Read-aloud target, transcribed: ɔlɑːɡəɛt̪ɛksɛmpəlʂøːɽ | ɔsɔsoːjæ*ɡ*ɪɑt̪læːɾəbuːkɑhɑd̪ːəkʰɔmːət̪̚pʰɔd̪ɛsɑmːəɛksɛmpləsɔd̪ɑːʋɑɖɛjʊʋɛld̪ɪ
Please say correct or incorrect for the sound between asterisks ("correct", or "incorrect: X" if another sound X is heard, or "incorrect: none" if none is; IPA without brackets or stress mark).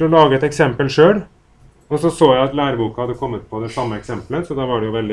incorrect: none